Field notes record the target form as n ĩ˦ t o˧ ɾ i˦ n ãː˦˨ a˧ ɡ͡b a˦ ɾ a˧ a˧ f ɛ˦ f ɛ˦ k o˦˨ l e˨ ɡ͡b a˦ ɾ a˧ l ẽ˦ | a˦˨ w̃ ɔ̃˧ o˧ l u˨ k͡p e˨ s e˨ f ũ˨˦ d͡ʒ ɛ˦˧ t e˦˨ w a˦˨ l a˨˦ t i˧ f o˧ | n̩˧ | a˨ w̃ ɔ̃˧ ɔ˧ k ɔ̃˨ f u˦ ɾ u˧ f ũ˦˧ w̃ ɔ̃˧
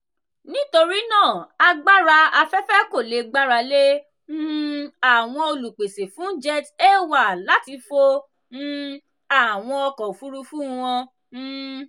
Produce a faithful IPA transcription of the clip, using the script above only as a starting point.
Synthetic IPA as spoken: n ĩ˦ t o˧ ɾ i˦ n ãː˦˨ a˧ ɡ͡b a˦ ɾ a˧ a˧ f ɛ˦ f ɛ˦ k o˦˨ l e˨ ɡ͡b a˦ ɾ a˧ l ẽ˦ | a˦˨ w̃ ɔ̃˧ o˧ l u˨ k͡p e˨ s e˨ f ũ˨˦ d͡ʒ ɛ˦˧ t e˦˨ w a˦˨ l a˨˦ t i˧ f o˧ | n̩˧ | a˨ w̃ ɔ̃˧ ɔ˧ k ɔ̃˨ f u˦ ɾ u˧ f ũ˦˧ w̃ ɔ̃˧